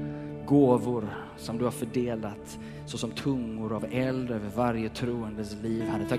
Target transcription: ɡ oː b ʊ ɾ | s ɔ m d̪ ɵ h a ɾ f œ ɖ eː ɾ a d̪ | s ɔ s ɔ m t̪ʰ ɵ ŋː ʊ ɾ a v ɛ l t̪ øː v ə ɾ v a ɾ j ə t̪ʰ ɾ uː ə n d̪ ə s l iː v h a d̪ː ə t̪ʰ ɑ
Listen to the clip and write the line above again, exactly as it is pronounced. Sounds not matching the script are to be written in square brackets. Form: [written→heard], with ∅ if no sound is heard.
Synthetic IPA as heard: ɡ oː [b→v] ʊ ɾ | s ɔ m d̪ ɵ h a ɾ f œ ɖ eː [ɾ→l] a [d̪→t̪] | s ɔ s ɔ m t̪ʰ ɵ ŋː ʊ ɾ a v ɛ l [t̪→d̪] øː v ə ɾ v a ɾ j ə t̪ʰ ɾ uː ə n d̪ ə s l iː v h a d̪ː ə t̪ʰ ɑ